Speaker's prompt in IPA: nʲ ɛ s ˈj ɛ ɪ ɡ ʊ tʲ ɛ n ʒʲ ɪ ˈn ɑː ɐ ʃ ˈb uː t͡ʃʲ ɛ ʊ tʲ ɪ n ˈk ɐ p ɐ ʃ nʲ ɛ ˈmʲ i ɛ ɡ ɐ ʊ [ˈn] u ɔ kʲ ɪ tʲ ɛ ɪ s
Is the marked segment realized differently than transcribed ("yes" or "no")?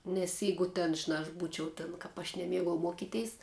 yes